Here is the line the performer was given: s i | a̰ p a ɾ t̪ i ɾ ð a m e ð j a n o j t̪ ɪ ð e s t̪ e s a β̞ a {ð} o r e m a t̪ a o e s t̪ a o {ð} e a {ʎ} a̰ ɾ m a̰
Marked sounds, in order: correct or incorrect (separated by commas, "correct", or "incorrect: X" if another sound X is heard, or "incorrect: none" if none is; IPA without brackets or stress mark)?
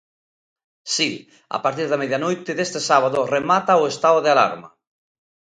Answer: correct, correct, incorrect: l